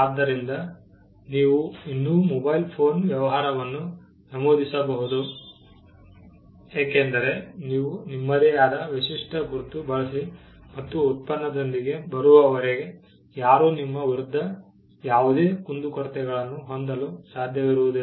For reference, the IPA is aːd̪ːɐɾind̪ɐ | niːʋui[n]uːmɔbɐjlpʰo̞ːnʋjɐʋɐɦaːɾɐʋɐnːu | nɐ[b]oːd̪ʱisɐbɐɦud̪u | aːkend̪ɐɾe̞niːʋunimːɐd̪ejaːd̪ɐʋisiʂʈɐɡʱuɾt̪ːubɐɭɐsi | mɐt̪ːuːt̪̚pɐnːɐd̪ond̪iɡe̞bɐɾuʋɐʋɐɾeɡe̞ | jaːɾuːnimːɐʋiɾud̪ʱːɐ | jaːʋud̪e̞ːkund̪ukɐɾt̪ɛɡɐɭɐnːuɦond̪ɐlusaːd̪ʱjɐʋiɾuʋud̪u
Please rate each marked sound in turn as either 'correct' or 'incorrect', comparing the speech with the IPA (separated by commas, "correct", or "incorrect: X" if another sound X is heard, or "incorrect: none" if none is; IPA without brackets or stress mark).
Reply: incorrect: nː, incorrect: m